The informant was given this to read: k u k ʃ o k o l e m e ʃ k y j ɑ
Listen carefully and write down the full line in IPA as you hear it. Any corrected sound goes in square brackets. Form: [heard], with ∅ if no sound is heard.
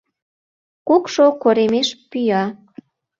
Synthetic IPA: k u k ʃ o k o [ɾ] e m e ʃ [p] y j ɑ